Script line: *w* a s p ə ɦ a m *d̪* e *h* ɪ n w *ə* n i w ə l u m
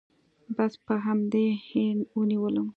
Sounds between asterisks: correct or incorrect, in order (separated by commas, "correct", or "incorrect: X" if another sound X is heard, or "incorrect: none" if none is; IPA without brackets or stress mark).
incorrect: b, correct, correct, correct